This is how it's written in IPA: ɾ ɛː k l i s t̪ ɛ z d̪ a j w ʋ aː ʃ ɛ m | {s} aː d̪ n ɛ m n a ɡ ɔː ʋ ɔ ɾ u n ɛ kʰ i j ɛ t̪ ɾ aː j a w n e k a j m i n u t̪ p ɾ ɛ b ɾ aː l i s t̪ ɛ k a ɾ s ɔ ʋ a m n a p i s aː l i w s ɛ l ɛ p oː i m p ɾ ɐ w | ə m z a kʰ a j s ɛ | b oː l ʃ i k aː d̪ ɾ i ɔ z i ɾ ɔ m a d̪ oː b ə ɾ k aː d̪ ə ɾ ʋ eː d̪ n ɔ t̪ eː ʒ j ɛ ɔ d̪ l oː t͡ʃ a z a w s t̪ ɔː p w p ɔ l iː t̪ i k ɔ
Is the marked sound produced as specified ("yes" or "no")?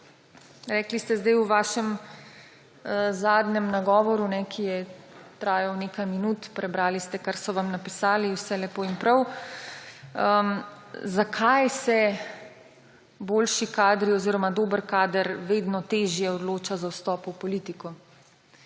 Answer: no